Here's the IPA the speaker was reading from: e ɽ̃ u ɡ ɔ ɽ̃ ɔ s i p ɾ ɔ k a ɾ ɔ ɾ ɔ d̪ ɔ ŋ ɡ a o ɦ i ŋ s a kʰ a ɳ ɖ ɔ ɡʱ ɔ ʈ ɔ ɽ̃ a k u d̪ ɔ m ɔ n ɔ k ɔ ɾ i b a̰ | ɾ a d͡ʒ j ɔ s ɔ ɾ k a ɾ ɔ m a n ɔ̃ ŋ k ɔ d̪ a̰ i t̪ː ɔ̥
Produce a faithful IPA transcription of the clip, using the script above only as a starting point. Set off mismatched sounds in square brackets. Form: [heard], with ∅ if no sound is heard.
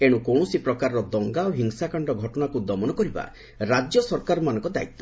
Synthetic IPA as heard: e ɽ̃ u [k] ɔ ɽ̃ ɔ s i p ɾ ɔ k a ɾ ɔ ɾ ɔ d̪ ɔ ŋ ɡ a o ɦ i ŋ s a [k] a ɳ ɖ ɔ ɡʱ ɔ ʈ ɔ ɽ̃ a k u d̪ ɔ m ɔ n ɔ k ɔ ɾ i b a̰ | ɾ a d͡ʒ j ɔ s ɔ ɾ k a ɾ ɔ m a n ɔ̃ ŋ k ɔ d̪ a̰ i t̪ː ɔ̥